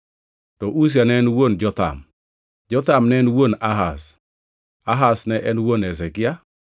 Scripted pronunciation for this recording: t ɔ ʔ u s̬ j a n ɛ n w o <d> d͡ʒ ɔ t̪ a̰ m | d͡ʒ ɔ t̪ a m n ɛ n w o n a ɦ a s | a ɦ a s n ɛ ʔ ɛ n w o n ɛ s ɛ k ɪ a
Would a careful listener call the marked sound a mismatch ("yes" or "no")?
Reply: yes